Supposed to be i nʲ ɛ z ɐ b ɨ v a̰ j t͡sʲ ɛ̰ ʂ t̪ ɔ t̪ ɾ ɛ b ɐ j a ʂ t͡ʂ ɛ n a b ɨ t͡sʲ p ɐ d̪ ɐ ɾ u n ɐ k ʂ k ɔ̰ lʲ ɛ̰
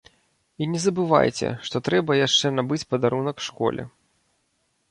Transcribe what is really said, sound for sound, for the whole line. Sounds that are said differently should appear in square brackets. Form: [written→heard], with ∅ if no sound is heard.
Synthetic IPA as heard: i nʲ ɛ z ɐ b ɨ v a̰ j t͡sʲ ɛ̰ ʂ t̪ ɔ t̪ ɾ ɛ b ɐ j a ʂ t͡ʂ ɛ n a b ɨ t͡sʲ p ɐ d̪ [ɐ→a] ɾ u n ɐ k ʂ k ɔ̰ lʲ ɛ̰